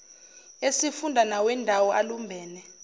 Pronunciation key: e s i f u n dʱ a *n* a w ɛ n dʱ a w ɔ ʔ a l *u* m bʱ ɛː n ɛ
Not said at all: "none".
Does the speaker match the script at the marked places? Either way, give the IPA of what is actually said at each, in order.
n, u

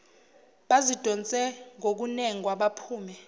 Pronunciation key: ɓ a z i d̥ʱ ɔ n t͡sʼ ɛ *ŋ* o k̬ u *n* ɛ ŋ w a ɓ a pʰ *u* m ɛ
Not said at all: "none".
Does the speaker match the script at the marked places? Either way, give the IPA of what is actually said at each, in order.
ŋ, n, uː

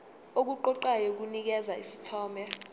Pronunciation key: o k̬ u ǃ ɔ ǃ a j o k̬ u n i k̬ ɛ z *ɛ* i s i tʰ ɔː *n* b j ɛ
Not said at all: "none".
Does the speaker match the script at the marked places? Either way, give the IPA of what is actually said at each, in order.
a, m

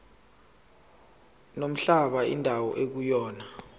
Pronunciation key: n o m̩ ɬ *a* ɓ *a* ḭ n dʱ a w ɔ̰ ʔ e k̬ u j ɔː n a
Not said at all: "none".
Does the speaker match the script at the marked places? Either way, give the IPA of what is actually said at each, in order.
a, a

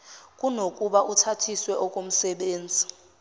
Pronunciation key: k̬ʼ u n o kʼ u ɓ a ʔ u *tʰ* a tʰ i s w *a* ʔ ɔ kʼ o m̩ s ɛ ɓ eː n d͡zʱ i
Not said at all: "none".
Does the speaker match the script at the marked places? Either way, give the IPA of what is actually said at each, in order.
tʰ, ɛ

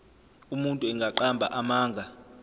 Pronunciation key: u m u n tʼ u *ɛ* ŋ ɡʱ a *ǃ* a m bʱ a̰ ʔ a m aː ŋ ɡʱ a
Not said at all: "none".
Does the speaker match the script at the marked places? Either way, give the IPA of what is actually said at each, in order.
ɛ, ǃ

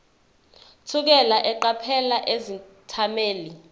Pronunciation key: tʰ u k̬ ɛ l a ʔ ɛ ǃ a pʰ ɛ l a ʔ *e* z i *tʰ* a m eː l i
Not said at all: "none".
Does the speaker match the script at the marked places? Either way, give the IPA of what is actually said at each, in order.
e, tʰ

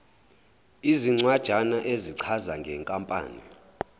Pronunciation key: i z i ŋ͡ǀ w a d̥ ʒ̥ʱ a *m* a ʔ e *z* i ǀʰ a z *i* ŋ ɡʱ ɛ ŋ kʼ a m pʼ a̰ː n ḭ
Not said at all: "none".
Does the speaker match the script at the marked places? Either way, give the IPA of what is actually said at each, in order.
n, z, a

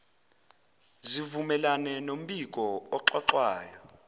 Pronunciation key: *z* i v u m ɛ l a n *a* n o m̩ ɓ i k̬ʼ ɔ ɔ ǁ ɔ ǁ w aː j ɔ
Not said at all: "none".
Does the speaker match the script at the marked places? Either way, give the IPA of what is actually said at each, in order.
z, ɛ

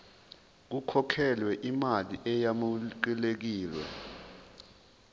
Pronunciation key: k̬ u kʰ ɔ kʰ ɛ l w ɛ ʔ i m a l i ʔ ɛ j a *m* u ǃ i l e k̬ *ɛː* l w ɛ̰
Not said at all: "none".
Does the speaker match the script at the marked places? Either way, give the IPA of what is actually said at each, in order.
m, iː

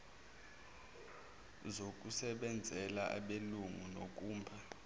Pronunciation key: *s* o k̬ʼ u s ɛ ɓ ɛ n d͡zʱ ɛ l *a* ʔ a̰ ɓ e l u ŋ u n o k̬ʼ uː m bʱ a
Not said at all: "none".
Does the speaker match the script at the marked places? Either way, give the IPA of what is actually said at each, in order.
z, a

